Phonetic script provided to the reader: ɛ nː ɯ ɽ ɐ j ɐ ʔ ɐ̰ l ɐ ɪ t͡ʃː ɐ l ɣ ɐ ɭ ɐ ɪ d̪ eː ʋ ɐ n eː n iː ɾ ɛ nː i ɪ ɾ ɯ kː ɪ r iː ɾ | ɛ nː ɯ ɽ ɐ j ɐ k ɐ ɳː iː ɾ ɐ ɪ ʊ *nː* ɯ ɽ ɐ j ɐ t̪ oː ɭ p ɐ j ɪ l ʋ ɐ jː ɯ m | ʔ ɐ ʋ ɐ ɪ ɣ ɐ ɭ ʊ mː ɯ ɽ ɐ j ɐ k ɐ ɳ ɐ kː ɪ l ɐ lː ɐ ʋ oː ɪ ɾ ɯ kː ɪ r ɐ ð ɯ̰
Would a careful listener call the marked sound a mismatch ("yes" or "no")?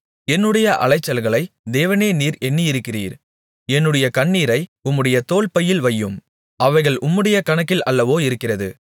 yes